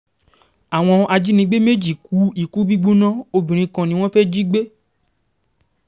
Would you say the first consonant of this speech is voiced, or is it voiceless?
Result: voiced